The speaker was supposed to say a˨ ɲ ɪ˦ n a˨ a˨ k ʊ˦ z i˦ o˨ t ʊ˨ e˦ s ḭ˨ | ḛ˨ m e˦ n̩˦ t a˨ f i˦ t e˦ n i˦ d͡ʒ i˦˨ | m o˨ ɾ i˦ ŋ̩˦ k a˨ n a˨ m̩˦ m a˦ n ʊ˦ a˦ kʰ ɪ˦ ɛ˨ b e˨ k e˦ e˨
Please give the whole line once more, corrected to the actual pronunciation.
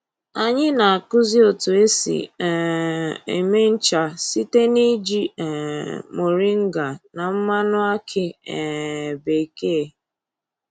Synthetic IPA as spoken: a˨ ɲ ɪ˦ n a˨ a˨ k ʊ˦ z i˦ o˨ t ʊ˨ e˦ s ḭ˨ | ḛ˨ m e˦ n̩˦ t͡ʃ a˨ s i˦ t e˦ n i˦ d͡ʒ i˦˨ | m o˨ ɾ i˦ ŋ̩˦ ɡ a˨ n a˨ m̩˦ m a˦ n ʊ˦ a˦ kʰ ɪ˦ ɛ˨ b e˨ k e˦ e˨